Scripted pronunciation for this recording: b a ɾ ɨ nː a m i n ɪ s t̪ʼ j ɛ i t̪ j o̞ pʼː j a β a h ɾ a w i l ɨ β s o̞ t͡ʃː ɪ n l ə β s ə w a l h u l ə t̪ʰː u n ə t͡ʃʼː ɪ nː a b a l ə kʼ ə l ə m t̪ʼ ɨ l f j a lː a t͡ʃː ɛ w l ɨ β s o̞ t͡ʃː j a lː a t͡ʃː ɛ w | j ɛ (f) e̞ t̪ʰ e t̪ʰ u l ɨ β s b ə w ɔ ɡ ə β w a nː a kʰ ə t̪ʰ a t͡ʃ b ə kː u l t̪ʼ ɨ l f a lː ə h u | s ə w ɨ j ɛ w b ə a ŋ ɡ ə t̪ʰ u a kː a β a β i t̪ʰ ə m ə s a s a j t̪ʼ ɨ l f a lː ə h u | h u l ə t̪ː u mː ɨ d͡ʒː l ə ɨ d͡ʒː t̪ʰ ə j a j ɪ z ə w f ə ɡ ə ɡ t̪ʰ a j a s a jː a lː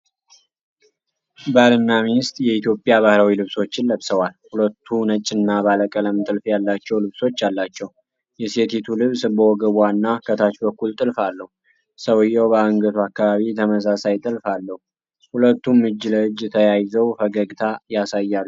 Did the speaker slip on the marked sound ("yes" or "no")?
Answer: yes